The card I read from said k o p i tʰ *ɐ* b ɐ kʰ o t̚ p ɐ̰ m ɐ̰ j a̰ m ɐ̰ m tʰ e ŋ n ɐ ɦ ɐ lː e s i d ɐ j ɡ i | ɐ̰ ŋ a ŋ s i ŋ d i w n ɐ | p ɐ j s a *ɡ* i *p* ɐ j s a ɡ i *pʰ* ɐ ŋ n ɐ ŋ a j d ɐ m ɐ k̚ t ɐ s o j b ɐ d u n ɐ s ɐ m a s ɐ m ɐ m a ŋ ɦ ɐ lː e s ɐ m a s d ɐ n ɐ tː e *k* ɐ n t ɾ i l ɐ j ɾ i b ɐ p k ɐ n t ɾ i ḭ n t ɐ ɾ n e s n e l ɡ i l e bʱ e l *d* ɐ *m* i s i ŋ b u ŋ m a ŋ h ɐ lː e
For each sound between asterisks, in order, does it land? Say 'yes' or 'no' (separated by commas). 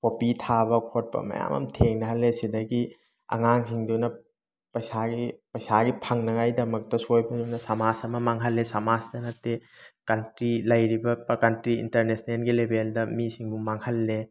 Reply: no, yes, yes, yes, yes, yes, yes